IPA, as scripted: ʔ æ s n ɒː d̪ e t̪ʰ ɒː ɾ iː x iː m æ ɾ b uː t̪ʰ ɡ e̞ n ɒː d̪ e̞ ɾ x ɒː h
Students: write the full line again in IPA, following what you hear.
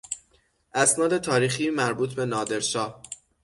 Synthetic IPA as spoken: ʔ æ s n ɒː d̪ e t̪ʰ ɒː ɾ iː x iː m æ ɾ b uː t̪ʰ b e̞ n ɒː d̪ e̞ ɾ ʃ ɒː h